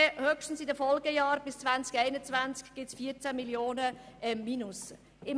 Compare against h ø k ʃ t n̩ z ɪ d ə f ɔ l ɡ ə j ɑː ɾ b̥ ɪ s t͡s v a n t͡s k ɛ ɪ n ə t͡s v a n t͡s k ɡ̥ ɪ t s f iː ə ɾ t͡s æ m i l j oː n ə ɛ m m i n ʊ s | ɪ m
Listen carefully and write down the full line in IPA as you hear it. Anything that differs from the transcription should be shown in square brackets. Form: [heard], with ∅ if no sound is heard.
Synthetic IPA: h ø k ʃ t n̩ [s] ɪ d ə f ɔ l ɡ ə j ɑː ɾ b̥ ɪ s t͡s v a n t͡s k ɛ ɪ n ə t͡s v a n t͡s k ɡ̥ ɪ t s f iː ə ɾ t͡s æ m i l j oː n ə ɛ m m i n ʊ s | ɪ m